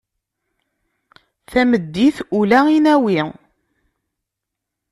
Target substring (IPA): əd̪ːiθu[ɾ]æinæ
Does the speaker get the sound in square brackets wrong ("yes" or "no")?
yes